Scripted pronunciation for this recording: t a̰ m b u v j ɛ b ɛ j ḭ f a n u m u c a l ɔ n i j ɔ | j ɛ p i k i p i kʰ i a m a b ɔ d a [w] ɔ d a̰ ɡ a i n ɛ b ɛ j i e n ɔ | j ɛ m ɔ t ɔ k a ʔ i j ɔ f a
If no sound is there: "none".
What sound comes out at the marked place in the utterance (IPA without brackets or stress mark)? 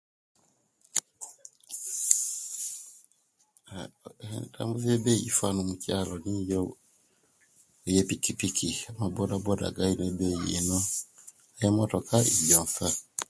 b